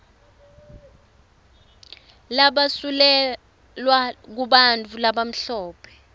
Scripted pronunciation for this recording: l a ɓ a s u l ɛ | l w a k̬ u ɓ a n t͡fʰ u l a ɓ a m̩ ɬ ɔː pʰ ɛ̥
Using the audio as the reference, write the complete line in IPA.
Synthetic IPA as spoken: l a ɓ a s u l ɛ | l w a k̬ u ɓ a n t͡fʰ u l a ɓ a m̩ ɬ ɔː pʰ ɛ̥